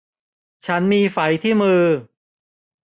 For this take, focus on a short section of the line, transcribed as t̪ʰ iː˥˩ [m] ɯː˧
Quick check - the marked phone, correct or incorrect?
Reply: correct